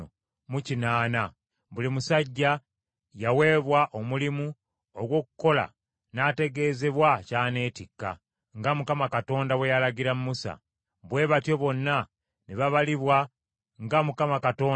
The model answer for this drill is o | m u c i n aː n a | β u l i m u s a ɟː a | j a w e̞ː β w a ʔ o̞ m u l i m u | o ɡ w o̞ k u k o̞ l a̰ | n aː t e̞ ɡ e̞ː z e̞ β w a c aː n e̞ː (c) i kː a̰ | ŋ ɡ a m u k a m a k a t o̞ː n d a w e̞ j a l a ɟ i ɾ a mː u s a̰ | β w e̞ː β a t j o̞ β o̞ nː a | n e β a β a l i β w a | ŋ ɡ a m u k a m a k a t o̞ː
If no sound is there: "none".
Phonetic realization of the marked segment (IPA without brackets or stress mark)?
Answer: t